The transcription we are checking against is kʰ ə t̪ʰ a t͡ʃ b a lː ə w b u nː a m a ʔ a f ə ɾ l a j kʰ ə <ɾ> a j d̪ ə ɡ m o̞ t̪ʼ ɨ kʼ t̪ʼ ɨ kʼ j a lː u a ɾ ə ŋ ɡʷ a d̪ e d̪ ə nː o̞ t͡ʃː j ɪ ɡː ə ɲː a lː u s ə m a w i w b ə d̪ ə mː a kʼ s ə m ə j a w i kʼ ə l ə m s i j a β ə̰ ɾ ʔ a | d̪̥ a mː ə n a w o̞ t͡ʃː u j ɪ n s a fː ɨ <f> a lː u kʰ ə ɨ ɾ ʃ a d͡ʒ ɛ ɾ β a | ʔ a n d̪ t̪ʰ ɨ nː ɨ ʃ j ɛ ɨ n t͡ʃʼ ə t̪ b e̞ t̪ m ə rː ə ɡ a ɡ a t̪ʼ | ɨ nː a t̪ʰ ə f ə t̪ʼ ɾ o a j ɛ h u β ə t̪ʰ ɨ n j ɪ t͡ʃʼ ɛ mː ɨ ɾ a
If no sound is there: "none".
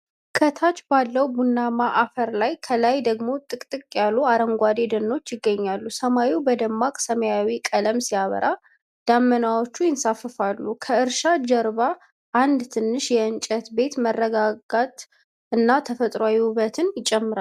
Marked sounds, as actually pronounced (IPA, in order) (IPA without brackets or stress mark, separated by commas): l, f